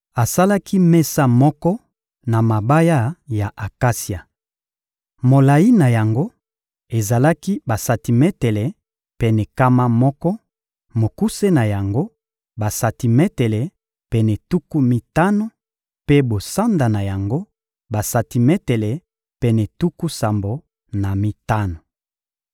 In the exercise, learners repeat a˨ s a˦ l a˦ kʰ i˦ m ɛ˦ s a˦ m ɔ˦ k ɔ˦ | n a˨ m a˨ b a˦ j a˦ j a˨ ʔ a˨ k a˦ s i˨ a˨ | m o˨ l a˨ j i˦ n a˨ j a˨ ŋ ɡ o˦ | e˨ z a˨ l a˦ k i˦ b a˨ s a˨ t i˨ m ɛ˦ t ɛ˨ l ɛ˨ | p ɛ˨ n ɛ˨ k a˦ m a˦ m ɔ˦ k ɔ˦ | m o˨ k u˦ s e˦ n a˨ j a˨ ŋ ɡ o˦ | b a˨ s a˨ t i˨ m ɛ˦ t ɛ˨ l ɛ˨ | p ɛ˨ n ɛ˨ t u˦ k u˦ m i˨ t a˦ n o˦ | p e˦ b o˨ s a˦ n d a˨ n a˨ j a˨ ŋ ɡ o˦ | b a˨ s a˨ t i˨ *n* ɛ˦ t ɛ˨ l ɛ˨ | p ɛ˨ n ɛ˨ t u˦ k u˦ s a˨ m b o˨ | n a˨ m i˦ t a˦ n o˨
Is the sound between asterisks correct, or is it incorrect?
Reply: incorrect